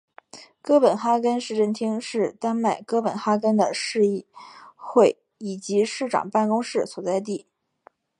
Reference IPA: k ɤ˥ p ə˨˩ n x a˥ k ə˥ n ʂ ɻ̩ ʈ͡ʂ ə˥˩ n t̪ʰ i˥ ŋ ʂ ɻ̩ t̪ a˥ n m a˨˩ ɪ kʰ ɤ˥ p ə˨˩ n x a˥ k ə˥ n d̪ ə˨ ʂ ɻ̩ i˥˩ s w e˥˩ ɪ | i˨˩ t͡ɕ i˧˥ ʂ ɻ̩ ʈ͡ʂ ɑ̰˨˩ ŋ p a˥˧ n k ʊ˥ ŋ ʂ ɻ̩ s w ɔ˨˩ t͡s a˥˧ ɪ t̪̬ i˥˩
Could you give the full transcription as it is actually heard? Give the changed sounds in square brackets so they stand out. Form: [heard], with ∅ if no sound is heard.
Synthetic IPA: k ɤ˥ p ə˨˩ n x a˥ k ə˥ n ʂ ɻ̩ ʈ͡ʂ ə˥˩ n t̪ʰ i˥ ŋ ʂ ɻ̩ t̪ a˥ n m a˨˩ ɪ [k] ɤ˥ p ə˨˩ n x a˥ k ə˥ n d̪ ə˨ ʂ ɻ̩ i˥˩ [x] w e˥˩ ɪ | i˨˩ t͡ɕ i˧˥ ʂ ɻ̩ ʈ͡ʂ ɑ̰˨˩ ŋ p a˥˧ n k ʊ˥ ŋ ʂ ɻ̩ s w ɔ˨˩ t͡s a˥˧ ɪ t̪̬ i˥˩